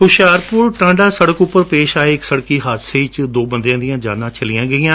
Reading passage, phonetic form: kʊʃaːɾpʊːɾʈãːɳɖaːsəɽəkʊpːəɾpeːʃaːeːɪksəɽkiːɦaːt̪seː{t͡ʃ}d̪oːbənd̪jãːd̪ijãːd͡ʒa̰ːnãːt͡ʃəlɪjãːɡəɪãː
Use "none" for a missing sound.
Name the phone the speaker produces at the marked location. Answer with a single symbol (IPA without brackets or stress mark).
t͡ʃ